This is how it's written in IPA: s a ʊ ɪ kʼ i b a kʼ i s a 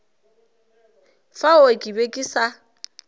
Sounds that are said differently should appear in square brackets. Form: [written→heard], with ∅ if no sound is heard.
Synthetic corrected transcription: [s→f] a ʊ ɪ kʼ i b [a→e] kʼ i s a